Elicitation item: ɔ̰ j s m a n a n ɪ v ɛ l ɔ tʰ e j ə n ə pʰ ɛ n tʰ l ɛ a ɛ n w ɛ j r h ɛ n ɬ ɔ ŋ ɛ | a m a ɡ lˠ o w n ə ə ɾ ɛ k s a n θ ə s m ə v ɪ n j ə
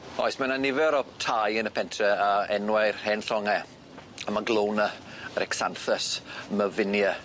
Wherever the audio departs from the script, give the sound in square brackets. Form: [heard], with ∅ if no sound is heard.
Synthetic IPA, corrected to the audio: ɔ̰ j s m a n a n ɪ v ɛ [ɾ] ɔ tʰ [a] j ə n ə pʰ ɛ n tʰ [r] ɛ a ɛ n w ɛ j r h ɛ n ɬ ɔ ŋ ɛ | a m a ɡ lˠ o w n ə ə ɾ ɛ k s a n θ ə s m ə v ɪ n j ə

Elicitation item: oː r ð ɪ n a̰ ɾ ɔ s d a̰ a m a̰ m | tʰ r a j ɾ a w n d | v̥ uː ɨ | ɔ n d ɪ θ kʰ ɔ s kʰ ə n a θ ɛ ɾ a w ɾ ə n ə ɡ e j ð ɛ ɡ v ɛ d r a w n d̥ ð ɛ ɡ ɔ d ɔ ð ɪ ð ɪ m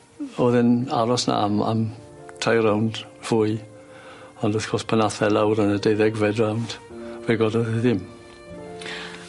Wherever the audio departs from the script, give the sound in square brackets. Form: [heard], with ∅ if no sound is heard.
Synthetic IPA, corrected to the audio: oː [∅] ð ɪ n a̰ ɾ ɔ s [n] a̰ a m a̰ m | tʰ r a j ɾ a w n d | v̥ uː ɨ | ɔ n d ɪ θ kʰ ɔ s [pʰ] ə n a θ ɛ [l] a w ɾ ə n ə [d] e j ð ɛ ɡ v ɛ d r a w n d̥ [v] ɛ ɡ ɔ d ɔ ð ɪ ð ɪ m

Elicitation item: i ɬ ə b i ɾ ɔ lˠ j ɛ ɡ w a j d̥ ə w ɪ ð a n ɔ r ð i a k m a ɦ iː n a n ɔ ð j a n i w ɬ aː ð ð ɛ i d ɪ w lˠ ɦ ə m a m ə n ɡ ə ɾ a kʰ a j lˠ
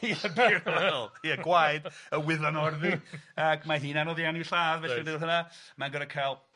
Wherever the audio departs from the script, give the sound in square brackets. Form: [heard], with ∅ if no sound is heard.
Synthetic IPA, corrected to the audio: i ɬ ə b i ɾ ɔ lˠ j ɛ ɡ w a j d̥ ə w ɪ ð a n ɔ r ð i a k m a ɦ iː n a n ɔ ð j a n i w ɬ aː ð [v] ɛ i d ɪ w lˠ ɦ ə [n] a m [a] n ɡ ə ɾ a kʰ a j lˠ

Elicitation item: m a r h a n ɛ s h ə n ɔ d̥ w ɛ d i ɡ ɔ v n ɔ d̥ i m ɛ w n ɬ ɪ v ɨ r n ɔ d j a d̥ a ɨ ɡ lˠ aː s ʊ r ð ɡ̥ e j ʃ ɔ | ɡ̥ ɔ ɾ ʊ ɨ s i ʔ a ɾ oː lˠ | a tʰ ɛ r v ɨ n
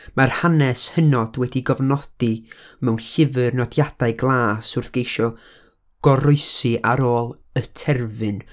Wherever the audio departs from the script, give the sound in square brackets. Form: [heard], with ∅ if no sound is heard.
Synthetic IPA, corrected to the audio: m a r h a n ɛ s h ə n ɔ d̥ w ɛ d i ɡ ɔ v n ɔ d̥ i m ɛ w n ɬ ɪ v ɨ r n ɔ d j a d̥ a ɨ ɡ lˠ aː s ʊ r [θ] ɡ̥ e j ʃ ɔ | ɡ̥ ɔ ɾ ʊ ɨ s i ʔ a ɾ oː lˠ | [ə] tʰ ɛ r v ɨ n

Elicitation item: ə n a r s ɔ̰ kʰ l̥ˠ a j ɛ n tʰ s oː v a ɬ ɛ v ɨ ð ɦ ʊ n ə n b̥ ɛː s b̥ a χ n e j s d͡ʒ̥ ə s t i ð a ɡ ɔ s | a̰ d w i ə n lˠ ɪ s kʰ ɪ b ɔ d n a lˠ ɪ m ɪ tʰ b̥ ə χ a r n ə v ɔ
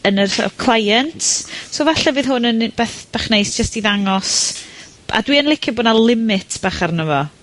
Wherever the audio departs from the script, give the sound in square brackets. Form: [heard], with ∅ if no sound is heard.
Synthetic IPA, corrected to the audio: ə n [ə] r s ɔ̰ kʰ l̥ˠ a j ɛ n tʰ s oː v a ɬ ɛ v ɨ ð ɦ ʊ n ə n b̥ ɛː [θ] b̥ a χ n e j s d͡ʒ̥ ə s t i ð a [ŋ] ɔ s | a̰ d w i ə n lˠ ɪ [∅] kʰ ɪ b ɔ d n a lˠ ɪ m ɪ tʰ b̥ [a] χ a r n ə v ɔ

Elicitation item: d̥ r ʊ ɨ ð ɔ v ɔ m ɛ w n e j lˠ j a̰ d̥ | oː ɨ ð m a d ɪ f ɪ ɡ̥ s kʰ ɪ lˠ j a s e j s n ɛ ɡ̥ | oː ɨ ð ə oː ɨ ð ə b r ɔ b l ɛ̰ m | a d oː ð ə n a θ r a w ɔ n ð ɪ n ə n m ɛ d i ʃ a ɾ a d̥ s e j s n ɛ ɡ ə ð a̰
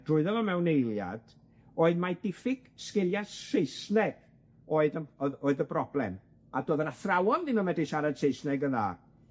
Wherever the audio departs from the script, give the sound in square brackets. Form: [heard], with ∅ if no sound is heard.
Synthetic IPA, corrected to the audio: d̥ r ʊ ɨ ð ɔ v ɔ m ɛ w n e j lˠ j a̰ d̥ | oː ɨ ð m a d ɪ f ɪ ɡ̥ s [k] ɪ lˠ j a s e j s n ɛ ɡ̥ | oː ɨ ð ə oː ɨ ð ə b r ɔ b l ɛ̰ m | a d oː ð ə n a θ r a w ɔ n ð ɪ n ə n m ɛ d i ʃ a ɾ a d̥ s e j s n ɛ ɡ ə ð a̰

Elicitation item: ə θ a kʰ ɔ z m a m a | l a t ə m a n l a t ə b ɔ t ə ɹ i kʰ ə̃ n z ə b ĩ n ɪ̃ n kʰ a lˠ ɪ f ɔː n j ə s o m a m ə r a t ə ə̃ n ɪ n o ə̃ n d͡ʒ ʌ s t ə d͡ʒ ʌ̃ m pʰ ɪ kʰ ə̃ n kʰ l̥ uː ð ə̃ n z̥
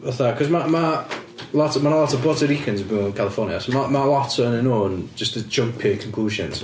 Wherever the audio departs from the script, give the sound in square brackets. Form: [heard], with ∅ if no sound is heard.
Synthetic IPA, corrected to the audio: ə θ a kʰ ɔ z m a m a | l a t ə m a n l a t ə b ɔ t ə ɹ i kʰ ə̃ n z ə b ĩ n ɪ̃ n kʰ a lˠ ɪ f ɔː n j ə s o m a m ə [l] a t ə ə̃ n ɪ n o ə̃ n d͡ʒ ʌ s t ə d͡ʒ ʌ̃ m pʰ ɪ kʰ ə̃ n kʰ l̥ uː [ʒ] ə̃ n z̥

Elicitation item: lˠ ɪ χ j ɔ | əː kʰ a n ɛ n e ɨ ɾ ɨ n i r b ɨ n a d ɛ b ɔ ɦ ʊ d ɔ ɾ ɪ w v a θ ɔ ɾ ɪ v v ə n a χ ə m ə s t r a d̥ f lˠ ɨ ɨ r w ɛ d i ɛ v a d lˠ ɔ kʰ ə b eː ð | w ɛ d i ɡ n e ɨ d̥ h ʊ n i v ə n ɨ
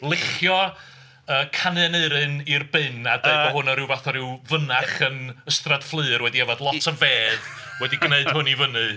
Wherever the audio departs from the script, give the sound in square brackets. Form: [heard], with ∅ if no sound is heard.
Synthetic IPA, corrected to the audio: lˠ ɪ χ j ɔ | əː kʰ a n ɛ n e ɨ ɾ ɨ n i r b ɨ n a d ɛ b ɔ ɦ ʊ [n] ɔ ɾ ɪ w v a θ ɔ ɾ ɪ [w] v ə n a χ ə [n] ə s t r a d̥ f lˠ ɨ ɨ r w ɛ d i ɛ v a d lˠ ɔ [tʰ] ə [v] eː ð | w ɛ d i ɡ n e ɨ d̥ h ʊ n i v ə n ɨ

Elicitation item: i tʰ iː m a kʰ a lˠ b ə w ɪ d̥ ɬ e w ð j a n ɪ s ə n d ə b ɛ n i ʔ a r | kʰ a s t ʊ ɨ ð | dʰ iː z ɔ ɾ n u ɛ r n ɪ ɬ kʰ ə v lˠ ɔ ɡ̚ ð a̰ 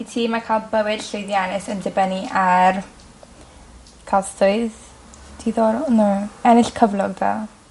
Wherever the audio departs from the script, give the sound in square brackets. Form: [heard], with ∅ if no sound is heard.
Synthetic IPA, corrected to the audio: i tʰ iː m a kʰ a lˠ b ə w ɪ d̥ ɬ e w ð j a n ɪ s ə n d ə b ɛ n i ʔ a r | kʰ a s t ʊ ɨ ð | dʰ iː [ð] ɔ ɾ n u ɛ [∅] n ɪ ɬ kʰ ə v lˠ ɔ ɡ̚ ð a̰

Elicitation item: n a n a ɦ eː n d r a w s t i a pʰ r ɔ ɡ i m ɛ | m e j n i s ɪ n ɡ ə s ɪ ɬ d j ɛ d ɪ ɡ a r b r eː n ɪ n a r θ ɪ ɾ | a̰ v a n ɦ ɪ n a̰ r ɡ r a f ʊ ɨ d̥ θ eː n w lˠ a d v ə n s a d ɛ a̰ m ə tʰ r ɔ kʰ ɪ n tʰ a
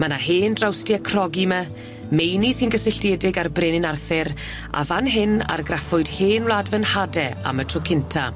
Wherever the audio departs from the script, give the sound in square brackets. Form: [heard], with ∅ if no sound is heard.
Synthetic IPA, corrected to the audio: [m] a n a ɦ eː n d r a w s t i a [kʰ] r ɔ ɡ i m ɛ | m e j n i s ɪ n ɡ ə s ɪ ɬ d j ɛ d ɪ ɡ a r b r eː n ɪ n a r θ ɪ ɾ | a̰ v a n ɦ ɪ n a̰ r ɡ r a f ʊ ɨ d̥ [h] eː n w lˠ a d v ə n [h] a d ɛ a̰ m ə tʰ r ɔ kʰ ɪ n tʰ a

